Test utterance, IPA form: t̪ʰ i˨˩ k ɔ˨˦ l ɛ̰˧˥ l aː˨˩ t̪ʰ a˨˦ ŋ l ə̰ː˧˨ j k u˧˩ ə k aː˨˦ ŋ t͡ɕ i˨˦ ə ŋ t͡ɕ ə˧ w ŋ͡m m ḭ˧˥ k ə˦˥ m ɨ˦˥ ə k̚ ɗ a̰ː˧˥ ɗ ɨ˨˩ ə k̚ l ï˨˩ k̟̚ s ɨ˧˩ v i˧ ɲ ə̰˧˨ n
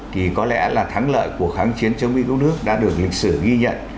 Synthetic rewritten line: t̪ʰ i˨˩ k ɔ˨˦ l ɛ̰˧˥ l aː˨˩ t̪ʰ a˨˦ ŋ l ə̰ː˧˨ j k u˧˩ ə x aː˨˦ ŋ t͡ɕ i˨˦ ə n t͡ɕ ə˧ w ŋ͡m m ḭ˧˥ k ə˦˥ n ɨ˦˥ ə k̚ ɗ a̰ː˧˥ ɗ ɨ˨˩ ə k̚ l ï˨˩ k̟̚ s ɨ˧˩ ɣ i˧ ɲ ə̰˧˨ n